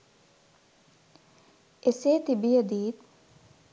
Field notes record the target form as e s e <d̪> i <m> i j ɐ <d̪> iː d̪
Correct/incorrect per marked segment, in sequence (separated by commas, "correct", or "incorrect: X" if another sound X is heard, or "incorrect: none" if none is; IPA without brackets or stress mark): incorrect: t̪, incorrect: b, correct